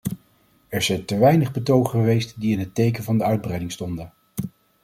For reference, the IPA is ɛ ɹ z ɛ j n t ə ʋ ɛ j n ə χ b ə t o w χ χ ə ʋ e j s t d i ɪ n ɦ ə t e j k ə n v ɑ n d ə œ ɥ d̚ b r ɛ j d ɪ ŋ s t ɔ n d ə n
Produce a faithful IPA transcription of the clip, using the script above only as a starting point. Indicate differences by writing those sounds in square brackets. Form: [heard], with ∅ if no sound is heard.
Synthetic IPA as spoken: ɛ ɹ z ɛ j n t ə ʋ ɛ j n ə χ b ə t o w χ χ ə ʋ e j s t d i ɪ n ɦ ə t e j k ə n v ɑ n d ə œ ɥ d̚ b r ɛ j d ɪ ŋ s t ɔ n d ə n